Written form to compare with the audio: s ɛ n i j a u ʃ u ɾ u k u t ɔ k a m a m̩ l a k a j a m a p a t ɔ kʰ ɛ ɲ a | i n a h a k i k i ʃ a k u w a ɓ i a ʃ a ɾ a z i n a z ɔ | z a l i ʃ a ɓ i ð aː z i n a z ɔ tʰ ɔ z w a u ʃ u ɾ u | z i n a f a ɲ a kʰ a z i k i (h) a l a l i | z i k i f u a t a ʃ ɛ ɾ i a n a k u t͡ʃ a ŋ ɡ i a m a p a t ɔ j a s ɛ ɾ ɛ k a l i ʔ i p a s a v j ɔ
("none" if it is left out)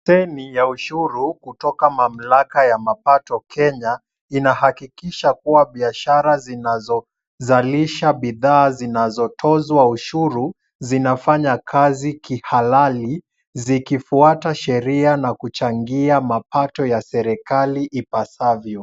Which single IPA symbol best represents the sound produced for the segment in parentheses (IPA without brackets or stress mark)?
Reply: h